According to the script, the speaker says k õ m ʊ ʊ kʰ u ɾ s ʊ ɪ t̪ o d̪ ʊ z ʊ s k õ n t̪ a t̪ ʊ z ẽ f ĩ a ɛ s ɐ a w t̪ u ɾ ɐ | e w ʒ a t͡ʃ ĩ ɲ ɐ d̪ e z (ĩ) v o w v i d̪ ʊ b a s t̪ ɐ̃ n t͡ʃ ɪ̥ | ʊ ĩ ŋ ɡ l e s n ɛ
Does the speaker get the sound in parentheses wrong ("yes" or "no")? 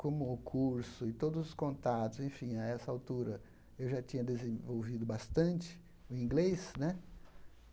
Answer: yes